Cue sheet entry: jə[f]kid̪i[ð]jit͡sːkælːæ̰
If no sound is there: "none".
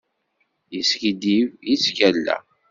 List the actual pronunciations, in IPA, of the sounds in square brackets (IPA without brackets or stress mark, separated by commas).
s, v